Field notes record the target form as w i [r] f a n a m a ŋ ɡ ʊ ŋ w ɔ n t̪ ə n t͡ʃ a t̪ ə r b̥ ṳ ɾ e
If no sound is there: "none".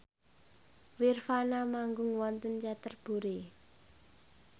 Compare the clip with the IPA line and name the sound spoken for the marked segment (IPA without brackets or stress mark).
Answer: r